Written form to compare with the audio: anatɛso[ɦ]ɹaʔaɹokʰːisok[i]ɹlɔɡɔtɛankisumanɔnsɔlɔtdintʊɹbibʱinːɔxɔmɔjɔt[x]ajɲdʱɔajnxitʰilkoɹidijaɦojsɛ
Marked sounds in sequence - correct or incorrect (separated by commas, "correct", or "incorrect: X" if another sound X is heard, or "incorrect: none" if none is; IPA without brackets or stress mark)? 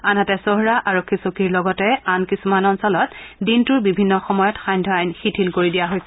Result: correct, correct, correct